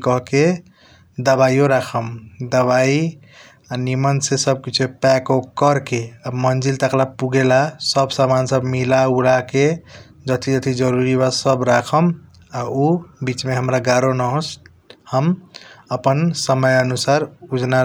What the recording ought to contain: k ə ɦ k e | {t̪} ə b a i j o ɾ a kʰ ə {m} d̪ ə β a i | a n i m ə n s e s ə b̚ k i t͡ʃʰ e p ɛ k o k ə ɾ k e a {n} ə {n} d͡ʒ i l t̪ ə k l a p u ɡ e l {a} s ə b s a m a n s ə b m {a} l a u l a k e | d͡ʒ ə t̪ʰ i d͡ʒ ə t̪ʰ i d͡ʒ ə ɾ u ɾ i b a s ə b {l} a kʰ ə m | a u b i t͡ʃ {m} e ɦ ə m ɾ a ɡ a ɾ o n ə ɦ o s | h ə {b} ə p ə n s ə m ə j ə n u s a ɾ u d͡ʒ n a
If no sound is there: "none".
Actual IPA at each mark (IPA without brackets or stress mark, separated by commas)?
d̪, m, m, n, a, i, ɾ, m, m